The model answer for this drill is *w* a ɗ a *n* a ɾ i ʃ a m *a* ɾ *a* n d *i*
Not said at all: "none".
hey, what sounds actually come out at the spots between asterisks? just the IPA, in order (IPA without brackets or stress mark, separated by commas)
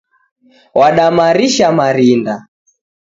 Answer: w, m, a, i, a